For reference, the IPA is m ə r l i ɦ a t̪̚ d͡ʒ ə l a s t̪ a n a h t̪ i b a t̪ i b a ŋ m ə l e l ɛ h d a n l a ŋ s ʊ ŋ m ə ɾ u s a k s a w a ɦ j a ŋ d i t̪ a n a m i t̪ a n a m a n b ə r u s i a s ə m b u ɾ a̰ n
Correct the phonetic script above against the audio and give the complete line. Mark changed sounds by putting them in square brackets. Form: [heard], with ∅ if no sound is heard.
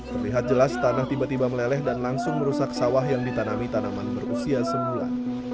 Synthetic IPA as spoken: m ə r l i ɦ a t̪̚ d͡ʒ ə l a s t̪ a n a h t̪ i b a t̪ i b a [∅] m ə l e l ɛ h d a n l a ŋ s ʊ ŋ m ə ɾ u s a k s a w a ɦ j a ŋ d i t̪ a n a m i t̪ a n a m a n b ə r u s i a s ə m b u [l] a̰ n

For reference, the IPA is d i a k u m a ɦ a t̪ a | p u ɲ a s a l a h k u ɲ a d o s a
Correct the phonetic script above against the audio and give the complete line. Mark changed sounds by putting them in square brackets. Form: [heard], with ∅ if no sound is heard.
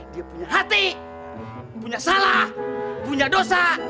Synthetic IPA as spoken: d i a [p] u [ɲ] a ɦ a t̪ [i] | p u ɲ a s a l a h [p] u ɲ a d o s a

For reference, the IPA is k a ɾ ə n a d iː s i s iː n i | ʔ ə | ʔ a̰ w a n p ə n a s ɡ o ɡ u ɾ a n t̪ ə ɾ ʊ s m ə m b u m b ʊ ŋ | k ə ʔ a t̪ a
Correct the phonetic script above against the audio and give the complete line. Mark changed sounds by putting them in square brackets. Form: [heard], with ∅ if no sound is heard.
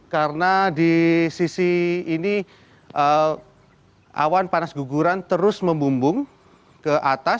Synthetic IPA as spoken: k a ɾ ə n a d [i] s i s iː n i | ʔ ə | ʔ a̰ w a n p [a] n a s ɡ [u] ɡ u ɾ a n t̪ ə ɾ ʊ s m ə m b u m b ʊ ŋ | k ə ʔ a t̪ a

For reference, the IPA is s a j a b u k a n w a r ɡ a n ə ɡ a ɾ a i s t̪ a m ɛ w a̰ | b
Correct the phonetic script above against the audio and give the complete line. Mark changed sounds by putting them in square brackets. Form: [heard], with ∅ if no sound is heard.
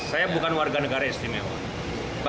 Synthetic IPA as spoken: s a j a b u k a n w a r ɡ a n ə ɡ a ɾ a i s t̪ [i] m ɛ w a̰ | b

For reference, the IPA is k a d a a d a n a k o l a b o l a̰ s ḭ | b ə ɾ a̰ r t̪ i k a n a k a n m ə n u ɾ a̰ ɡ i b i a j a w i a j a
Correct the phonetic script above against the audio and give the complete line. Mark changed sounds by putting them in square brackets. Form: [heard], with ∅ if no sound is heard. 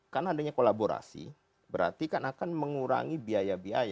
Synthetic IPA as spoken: k a [n] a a d a [ɲ] a k o l a b o [ɾ] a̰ s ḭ | b ə ɾ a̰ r t̪ i k a n a k a n m ə [ŋ] u ɾ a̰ [ŋ] i b i a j a [b] i a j a

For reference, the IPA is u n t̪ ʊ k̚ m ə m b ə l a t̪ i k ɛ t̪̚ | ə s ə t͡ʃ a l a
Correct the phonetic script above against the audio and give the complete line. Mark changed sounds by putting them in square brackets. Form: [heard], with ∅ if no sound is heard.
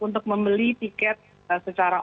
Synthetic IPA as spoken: u n t̪ ʊ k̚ m ə m b ə l [i] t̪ i k ɛ t̪̚ | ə s ə t͡ʃ a [ɾ] a

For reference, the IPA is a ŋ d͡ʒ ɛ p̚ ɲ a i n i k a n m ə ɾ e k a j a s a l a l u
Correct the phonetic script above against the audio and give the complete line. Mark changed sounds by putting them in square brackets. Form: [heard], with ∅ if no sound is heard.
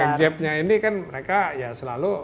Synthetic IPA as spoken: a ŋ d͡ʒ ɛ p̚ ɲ a i n i k a n m ə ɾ e k a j a s [ə] l a l u

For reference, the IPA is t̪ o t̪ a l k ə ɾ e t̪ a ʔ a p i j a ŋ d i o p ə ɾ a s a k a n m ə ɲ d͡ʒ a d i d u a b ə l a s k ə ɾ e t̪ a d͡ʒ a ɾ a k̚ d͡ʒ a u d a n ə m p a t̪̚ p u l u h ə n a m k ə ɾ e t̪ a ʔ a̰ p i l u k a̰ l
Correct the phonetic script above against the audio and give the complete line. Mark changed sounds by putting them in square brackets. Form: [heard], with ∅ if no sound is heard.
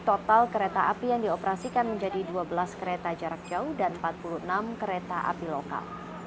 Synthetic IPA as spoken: t̪ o t̪ a l k ə ɾ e t̪ a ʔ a p i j a ŋ d i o p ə ɾ a s [i] k a n m ə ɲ d͡ʒ a d i d u a b ə l a s k ə ɾ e t̪ a d͡ʒ a ɾ a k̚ d͡ʒ a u d a n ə m p a t̪̚ p u l u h ə n a m k ə ɾ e t̪ a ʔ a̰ p i l [o] k a̰ l

